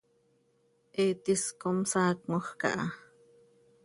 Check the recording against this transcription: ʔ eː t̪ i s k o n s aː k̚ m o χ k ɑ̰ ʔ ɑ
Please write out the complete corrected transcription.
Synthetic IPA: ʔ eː t̪ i s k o m s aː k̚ m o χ k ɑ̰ ʔ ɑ